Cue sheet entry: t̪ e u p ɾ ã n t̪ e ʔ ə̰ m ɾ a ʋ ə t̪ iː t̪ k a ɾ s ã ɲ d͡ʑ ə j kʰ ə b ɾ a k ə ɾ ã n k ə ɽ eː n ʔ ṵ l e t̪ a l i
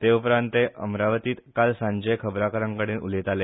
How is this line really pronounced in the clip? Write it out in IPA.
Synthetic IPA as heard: t̪ e u p ɾ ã n t̪ e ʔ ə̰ m ɾ a ʋ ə t̪ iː t̪ k a l s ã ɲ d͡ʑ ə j kʰ ə b ɾ a k ə ɾ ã ŋ k ə ɽ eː n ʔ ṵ l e t̪ a l e

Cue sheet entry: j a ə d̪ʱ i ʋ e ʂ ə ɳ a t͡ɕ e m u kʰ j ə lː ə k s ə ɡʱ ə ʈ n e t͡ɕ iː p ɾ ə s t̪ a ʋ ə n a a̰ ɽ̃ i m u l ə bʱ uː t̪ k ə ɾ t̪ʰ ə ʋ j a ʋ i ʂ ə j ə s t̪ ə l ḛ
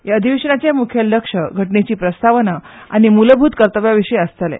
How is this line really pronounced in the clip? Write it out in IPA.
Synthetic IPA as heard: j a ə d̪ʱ i ʋ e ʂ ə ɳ a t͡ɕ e m u kʰ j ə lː ə k ʂ ə ɡʱ ə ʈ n e t͡ɕ iː p ɾ ə s t̪ a ʋ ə n a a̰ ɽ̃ i m u l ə bʱ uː t̪ k ə ɾ t̪ ə ʋ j a ʋ i ʂ ə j ə s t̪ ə l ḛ

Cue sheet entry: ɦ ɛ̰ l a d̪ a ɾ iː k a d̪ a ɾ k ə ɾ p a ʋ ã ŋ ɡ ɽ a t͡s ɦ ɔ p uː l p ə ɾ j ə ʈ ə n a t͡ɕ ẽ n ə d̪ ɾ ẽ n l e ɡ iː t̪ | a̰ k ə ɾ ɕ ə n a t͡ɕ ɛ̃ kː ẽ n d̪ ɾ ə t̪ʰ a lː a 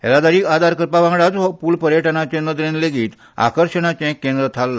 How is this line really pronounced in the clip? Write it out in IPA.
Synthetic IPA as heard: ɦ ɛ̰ l a d̪ a ɾ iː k a d̪ a ɾ k ə ɾ p a ʋ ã ŋ ɡ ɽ a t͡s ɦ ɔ p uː l p ə ɾ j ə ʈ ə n a t͡ɕ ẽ n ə d̪ ɾ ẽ n l e ɡ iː t̪ | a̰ k ə ɾ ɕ ə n a t͡ɕ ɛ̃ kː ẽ n d̪ ɾ ə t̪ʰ a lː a

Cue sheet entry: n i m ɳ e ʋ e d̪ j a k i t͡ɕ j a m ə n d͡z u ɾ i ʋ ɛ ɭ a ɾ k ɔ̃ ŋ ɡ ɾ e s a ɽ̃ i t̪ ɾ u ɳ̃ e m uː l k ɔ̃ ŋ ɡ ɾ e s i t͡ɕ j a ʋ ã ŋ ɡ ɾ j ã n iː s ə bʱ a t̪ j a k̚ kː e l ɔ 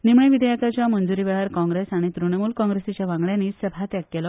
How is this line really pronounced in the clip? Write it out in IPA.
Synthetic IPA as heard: n i m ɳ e ʋ i d̪ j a k a t͡ɕ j a m ə n d͡z u ɾ i ʋ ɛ ɭ a ɾ k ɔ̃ ŋ ɡ ɾ e s a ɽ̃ i t̪ ɾ u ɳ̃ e m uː l k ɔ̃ ŋ ɡ ɾ e s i t͡ɕ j a ʋ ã ŋ ɡ ɭ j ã n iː s ə bʱ a t̪ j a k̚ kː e l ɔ

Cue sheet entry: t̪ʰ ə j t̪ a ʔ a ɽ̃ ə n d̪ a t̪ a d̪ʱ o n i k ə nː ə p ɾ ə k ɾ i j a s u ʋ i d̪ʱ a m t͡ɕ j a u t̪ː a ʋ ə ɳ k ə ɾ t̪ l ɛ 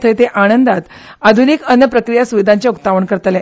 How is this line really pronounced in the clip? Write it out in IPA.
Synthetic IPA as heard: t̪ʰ ə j t̪ e ʔ a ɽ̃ ə n d̪ a t̪ a d̪ʱ u n i k ə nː ə p ɾ ə k ɾ i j a s u ʋ i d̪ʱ a ɲ t͡ɕ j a u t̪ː a ʋ ə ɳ k ə ɾ t̪ l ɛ

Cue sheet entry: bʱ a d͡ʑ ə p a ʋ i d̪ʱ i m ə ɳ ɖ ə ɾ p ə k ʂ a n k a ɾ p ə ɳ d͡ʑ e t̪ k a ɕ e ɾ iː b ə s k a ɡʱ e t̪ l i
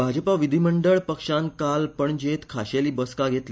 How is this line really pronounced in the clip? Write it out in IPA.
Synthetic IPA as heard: bʱ a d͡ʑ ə p a ʋ i d̪ʱ i m ə ɳ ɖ ə ɭ p ə k ʂ a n k a l p ə ɳ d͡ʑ e t̪ kʰ a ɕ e l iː b ə s k a ɡʱ e t̪ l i

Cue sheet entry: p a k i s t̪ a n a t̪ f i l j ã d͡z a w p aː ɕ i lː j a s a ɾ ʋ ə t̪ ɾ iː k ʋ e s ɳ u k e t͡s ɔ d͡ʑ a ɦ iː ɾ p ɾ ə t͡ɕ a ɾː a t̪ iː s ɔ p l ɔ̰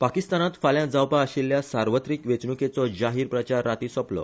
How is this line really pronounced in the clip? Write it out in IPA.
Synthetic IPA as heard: p a k i s t̪ a n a t̪ f a l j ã d͡z a w p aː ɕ i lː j a s a ɾ ʋ ə t̪ ɾ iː k ʋ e t͡s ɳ u k e t͡s ɔ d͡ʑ a ɦ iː ɾ p ɾ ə t͡ɕ a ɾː a t̪ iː s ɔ p l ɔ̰

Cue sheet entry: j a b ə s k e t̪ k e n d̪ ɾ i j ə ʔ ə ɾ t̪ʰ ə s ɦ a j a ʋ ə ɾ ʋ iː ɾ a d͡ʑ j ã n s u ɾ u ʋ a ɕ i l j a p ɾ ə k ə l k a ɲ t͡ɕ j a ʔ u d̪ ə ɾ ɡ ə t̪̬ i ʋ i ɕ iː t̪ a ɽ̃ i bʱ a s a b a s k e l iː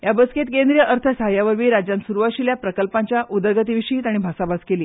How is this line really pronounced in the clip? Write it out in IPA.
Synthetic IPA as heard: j a b ə s k e t̪ k e n d̪ ɾ i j ə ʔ ə ɾ t̪ʰ ə s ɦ a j a ʋ ə ɾ ʋ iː ɾ a d͡ʑ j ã n s u ɾ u ʋ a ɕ i l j a p ɾ ə k ə l p a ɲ t͡ɕ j a ʔ u d̪ ə ɾ ɡ ə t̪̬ i ʋ i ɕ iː t̪ a ɽ̃ i bʱ a s a b a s k e l iː

